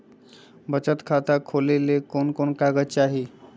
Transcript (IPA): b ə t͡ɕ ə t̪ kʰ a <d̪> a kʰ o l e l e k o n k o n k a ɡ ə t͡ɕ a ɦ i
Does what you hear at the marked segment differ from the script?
yes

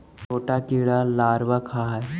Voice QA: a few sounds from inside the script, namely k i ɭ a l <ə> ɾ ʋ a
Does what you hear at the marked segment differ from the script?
yes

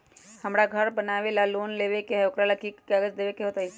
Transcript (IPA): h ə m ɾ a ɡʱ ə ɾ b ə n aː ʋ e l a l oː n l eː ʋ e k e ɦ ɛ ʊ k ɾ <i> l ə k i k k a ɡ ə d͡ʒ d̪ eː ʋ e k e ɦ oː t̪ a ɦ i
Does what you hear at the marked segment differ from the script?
yes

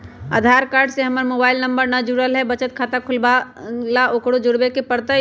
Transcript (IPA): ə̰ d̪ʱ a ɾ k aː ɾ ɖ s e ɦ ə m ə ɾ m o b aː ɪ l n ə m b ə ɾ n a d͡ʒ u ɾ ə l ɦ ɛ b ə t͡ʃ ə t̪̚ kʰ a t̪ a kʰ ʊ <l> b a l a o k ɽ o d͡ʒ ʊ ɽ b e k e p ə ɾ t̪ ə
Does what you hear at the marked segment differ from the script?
no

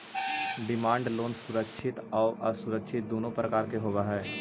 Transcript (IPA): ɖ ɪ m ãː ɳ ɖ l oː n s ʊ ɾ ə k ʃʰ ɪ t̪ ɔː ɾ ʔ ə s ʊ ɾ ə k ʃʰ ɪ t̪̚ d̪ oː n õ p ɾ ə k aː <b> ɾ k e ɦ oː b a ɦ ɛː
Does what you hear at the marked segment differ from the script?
yes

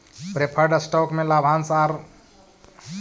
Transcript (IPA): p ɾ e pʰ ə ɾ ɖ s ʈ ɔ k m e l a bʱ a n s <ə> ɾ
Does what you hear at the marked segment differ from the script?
yes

